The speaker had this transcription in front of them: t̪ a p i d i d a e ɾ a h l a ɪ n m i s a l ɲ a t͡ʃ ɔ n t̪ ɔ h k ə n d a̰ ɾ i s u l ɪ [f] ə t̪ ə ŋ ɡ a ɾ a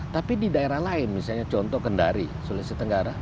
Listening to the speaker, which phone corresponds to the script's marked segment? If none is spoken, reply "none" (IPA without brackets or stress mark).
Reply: s